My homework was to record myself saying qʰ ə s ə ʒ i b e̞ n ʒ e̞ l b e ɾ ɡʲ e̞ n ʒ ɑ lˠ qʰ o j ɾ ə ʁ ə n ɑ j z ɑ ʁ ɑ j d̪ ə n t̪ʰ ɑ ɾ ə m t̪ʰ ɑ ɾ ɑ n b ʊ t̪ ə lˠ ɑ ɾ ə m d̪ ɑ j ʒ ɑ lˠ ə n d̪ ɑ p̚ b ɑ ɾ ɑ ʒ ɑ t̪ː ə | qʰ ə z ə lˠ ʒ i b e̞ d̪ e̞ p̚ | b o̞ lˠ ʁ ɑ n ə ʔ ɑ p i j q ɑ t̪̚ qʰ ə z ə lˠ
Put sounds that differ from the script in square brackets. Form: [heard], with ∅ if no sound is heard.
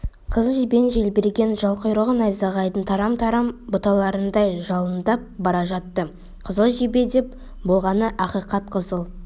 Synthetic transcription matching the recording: qʰ ə [z] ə ʒ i b e̞ n ʒ e̞ l b e ɾ ɡʲ e̞ n ʒ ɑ lˠ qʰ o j ɾ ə ʁ ə n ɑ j z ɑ ʁ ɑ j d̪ ə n t̪ʰ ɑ ɾ [ɑ] m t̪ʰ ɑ ɾ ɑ [m] b ʊ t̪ [ɑ] lˠ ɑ ɾ ə [n] d̪ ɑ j ʒ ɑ lˠ ə n d̪ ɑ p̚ b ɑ ɾ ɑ ʒ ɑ t̪ː ə | qʰ ə z ə lˠ ʒ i b e̞ d̪ e̞ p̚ | b o̞ lˠ ʁ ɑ n ə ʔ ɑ [q] i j q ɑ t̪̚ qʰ ə z ə lˠ